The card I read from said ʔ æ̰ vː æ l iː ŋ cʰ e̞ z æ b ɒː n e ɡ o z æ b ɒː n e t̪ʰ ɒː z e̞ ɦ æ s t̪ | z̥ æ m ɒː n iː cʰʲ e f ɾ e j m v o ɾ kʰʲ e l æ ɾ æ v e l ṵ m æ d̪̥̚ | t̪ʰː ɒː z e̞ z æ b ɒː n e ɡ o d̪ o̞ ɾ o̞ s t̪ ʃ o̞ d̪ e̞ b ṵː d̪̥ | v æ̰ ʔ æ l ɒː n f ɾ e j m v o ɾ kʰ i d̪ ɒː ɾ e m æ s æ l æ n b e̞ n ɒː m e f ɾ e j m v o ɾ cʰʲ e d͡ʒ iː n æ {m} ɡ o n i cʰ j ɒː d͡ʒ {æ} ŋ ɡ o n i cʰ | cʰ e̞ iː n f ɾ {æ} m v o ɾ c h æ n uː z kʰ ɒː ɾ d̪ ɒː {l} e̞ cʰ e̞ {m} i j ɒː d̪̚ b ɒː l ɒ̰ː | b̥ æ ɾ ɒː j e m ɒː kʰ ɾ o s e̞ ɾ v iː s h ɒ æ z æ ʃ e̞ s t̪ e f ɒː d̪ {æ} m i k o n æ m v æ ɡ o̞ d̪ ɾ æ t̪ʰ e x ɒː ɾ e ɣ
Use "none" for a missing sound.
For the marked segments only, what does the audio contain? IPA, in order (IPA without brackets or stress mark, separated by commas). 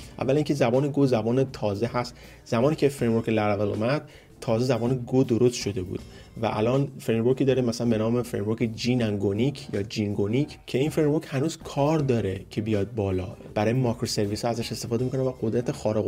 ŋ, i, e, ɾ, b, e